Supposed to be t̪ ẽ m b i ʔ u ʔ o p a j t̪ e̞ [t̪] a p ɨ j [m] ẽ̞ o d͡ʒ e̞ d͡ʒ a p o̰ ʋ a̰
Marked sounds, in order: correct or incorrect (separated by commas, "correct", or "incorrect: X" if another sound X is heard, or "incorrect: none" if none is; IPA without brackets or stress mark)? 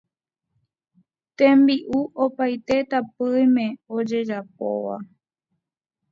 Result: correct, correct